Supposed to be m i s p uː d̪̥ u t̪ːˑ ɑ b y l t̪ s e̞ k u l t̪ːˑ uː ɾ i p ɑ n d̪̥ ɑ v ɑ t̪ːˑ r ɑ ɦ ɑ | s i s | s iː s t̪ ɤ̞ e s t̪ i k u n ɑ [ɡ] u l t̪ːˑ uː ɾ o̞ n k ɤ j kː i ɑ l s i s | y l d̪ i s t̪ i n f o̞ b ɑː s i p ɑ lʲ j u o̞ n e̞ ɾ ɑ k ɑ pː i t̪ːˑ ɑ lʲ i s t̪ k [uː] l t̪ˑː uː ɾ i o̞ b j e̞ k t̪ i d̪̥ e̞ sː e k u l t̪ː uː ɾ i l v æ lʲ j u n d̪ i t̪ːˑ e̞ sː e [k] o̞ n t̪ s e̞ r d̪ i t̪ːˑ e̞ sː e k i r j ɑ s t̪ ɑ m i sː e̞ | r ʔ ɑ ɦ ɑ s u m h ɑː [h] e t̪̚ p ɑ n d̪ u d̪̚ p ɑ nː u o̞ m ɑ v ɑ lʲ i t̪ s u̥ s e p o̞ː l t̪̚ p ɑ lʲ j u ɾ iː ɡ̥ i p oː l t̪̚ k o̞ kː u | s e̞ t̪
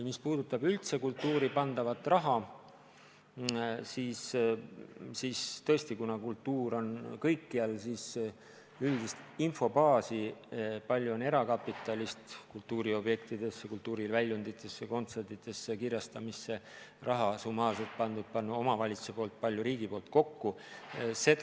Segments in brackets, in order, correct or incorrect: incorrect, incorrect, correct, incorrect

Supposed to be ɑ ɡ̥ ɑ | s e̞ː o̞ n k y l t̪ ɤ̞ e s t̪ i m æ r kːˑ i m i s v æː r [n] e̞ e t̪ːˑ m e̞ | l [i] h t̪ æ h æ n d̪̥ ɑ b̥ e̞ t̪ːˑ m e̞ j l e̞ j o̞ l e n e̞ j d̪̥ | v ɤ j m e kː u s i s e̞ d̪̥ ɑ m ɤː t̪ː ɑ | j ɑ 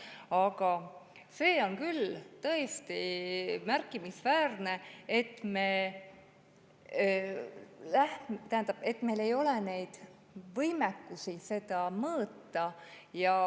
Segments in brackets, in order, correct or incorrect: correct, incorrect

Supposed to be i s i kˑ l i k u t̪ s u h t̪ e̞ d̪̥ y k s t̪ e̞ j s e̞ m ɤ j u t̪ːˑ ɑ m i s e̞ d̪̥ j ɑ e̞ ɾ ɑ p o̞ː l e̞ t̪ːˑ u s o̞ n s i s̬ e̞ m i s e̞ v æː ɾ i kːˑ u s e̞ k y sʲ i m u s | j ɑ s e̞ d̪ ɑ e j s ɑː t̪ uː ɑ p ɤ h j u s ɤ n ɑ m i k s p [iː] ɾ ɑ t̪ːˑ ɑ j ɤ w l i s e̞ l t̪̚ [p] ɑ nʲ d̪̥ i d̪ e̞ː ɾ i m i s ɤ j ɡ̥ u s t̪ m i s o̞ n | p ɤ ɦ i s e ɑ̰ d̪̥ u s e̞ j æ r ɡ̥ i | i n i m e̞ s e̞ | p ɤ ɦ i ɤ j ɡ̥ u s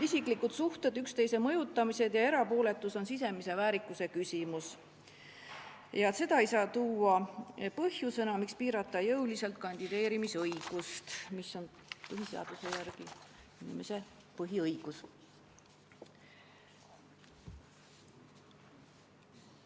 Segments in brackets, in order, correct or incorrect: correct, incorrect

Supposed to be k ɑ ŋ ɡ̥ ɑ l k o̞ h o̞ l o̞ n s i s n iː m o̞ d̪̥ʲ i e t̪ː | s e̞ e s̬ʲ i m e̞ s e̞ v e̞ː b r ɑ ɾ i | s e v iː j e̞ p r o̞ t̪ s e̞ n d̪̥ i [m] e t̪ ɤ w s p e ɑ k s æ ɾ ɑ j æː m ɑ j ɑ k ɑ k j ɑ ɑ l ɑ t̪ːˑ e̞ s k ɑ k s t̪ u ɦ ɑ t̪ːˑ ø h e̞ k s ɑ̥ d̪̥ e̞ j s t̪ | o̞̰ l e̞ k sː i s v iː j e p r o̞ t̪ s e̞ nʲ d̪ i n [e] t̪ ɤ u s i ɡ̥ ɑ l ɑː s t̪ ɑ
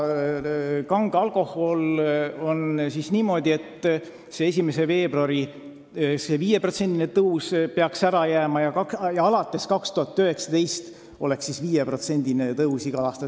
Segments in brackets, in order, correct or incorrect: incorrect, correct

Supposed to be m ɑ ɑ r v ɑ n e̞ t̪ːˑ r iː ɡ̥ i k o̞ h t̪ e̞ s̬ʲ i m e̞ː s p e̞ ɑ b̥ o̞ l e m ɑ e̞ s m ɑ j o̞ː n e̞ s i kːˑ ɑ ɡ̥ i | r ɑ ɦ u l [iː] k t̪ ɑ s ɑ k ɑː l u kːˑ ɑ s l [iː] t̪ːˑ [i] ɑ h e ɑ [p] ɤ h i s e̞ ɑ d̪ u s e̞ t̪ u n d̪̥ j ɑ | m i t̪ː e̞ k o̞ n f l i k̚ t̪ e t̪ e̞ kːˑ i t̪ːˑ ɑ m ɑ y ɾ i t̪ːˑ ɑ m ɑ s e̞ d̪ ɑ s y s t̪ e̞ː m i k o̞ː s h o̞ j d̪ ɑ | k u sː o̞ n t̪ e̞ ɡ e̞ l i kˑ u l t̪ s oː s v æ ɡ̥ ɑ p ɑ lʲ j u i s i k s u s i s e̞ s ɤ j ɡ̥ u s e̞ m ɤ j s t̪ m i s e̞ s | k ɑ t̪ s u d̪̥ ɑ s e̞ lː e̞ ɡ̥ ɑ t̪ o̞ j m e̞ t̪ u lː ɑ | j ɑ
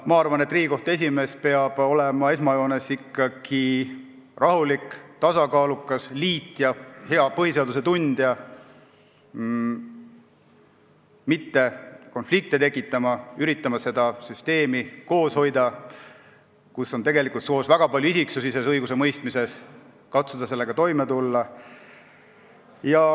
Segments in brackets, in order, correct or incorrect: incorrect, correct, incorrect, correct

